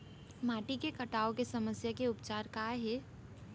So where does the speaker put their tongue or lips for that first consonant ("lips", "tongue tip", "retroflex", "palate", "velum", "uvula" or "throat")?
lips